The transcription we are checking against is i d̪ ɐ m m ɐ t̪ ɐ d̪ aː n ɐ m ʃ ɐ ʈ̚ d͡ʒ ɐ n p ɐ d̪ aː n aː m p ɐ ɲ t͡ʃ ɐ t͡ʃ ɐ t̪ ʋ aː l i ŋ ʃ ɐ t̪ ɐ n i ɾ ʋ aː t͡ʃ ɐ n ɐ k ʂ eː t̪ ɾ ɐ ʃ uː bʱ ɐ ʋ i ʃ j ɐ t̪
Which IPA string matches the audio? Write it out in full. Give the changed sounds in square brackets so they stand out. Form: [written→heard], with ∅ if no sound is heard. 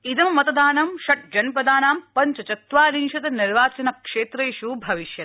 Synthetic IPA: i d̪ ɐ m m ɐ t̪ ɐ d̪ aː n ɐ m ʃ ɐ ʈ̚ d͡ʒ ɐ n p ɐ d̪ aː n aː m p ɐ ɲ t͡ʃ ɐ t͡ʃ ɐ t̪ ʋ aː l i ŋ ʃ ɐ t̪ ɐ n i ɾ ʋ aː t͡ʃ ɐ n ɐ k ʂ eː t̪ ɾ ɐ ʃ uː bʱ ɐ ʋ i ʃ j ɐ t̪